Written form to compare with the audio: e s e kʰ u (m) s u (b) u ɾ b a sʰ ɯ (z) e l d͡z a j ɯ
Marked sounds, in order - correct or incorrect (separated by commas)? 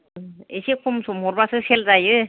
correct, incorrect, incorrect